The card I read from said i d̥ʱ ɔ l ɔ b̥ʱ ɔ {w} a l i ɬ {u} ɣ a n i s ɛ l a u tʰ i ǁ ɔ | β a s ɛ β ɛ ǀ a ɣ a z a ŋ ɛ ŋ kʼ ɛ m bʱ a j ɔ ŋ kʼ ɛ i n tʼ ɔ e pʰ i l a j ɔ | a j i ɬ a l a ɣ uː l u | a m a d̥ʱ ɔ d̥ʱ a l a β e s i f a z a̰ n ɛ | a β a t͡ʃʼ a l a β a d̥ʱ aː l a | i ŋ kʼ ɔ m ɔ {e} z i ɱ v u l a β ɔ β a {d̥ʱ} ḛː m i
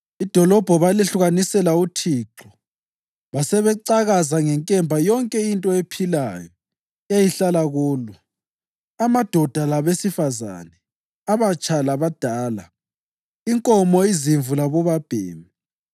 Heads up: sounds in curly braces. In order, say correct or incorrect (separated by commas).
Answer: incorrect, correct, incorrect, incorrect